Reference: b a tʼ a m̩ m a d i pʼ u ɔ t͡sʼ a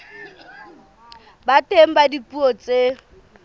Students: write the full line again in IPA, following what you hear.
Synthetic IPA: b a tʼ e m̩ b a d i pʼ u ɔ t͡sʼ e